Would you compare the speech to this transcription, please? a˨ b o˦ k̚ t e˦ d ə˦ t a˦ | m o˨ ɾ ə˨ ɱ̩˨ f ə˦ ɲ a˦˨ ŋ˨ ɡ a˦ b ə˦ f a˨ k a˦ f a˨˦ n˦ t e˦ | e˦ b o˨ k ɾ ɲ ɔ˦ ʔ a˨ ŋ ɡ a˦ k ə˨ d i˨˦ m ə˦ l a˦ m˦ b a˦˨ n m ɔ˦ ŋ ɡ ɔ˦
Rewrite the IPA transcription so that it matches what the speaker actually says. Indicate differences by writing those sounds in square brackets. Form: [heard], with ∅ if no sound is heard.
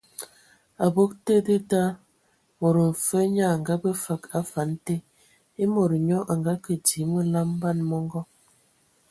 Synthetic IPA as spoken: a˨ b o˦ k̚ t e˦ d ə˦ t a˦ | m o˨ ɾ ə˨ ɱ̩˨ f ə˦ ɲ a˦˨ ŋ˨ ɡ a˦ b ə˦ f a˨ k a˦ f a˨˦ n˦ t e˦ | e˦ [m] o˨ [∅] ɾ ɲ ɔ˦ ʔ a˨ ŋ ɡ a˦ k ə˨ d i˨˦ m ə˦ l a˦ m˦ b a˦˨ n m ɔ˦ ŋ ɡ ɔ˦